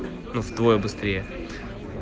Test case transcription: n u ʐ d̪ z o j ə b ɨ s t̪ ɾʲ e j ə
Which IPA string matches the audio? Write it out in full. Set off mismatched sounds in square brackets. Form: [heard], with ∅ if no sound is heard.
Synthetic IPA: n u [v] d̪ [v] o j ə b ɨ s t̪ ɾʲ e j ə

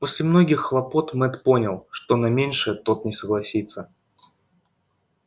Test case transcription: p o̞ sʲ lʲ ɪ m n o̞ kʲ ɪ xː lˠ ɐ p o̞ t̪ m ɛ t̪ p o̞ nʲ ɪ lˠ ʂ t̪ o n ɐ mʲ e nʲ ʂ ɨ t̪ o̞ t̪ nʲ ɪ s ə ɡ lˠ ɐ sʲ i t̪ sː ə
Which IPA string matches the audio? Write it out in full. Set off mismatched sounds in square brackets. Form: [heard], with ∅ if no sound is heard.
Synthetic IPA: p o̞ sʲ lʲ ɪ m n o̞ [ɡʲ] ɪ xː lˠ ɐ p o̞ t̪ m ɛ t̪ p o̞ nʲ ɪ lˠ ʂ t̪ o n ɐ mʲ e nʲ ʂ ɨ t̪ o̞ t̪ nʲ ɪ s ə ɡ lˠ ɐ sʲ i t̪ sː ə

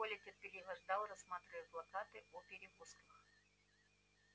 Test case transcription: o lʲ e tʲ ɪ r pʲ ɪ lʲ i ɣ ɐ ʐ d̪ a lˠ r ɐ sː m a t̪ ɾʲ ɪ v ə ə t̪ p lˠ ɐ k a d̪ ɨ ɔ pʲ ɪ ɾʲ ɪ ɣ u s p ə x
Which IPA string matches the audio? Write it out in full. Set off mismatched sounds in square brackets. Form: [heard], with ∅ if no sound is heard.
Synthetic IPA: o lʲ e tʲ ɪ r pʲ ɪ lʲ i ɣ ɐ ʐ d̪ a lˠ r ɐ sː m a t̪ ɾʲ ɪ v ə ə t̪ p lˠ ɐ k a [t̪] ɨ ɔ pʲ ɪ ɾʲ ɪ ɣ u s [k] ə x

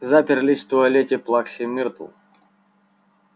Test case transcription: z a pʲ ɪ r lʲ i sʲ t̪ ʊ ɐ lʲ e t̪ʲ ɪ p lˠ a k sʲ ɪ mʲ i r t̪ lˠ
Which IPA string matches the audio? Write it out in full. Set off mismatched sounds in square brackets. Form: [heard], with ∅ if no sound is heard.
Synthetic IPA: z a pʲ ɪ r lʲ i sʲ t̪ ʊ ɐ lʲ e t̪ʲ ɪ p lˠ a k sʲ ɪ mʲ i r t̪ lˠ

